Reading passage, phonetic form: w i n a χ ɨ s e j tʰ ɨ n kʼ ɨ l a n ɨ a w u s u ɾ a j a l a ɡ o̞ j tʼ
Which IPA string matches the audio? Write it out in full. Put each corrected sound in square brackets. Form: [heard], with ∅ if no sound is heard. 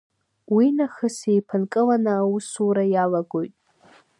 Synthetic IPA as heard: w i n a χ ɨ s e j [pʰ] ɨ n kʼ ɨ l a n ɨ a w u s u ɾ a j a l a ɡ o̞ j tʼ